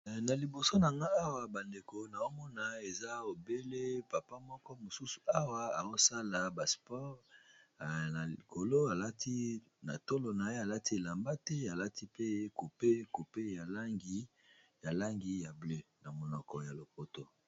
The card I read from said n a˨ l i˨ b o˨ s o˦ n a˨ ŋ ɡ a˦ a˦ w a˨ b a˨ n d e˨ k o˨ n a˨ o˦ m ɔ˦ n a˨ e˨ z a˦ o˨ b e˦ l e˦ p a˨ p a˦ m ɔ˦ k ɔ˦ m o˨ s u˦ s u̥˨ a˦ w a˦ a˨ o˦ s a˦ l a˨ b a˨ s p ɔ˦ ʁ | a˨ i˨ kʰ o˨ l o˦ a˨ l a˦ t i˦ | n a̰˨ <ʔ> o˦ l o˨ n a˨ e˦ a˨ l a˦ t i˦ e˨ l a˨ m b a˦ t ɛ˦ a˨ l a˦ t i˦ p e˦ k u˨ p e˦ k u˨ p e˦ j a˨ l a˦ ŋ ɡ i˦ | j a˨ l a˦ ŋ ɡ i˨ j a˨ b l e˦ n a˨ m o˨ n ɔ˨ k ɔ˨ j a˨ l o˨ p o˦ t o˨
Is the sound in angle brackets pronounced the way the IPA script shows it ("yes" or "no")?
no